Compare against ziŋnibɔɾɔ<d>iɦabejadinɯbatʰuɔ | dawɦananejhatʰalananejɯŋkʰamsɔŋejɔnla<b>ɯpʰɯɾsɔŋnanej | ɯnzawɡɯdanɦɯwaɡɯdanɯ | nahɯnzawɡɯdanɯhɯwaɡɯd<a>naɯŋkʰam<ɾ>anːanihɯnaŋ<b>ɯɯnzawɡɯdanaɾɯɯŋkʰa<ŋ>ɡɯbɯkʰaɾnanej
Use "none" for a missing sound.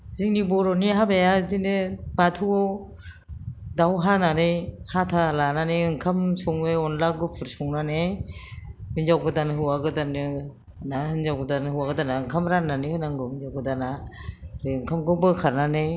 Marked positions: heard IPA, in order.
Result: n, ɡ, a, ɾ, ɡ, m

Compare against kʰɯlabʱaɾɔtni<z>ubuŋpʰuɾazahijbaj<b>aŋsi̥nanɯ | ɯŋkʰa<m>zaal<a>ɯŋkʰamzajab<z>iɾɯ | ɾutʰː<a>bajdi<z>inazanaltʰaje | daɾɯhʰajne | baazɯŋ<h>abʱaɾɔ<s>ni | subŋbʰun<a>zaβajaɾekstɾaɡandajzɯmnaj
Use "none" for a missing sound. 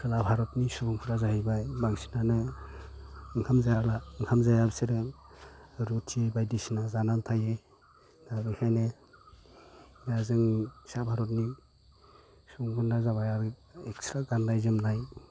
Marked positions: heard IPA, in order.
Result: s, b, m, a, s, i, s, s, t, a

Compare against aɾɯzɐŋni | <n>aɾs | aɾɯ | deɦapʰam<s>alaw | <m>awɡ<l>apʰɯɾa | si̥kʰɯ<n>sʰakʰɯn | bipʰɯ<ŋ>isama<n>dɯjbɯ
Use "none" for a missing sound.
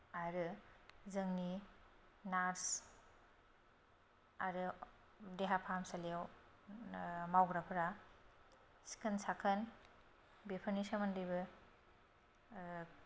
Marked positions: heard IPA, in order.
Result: n, s, m, ɾ, n, n, n

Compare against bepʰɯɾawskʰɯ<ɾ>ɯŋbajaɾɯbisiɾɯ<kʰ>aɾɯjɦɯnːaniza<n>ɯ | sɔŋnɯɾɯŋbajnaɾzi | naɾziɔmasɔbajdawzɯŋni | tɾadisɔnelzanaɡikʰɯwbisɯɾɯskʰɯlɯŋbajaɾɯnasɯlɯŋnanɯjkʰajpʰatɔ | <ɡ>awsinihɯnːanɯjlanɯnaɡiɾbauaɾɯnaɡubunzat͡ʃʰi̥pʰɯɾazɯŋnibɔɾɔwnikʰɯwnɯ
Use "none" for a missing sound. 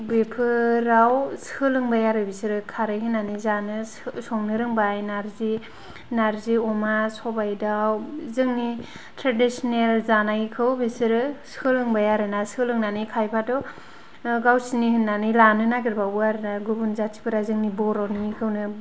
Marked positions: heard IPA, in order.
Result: l, kʰ, n, ɡ

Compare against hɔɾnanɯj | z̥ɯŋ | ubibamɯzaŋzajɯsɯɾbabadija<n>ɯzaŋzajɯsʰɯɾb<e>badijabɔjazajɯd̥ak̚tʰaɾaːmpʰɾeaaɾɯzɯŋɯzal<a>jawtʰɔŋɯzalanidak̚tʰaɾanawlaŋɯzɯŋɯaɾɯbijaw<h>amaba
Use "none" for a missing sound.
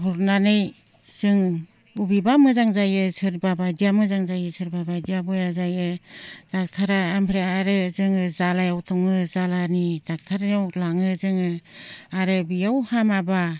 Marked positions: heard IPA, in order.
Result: m, a, a, h

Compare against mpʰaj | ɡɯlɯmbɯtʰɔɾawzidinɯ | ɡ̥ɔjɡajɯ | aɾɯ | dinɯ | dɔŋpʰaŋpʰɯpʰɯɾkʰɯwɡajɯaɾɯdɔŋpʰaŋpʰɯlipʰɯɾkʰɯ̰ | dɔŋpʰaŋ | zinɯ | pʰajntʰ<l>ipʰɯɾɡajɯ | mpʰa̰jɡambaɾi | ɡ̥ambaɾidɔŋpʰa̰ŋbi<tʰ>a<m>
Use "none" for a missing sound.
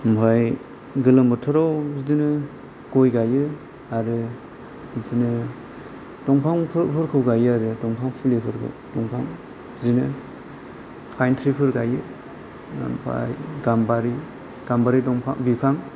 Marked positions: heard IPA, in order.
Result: ɾ, pʰ, ŋ

